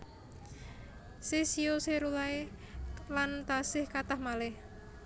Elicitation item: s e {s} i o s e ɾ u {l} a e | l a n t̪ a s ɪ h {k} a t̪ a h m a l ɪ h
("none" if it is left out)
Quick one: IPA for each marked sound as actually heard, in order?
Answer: s, l, k

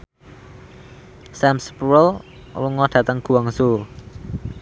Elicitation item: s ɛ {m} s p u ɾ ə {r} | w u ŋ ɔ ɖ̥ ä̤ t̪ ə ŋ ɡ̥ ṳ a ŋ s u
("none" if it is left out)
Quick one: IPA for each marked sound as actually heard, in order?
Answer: m, l

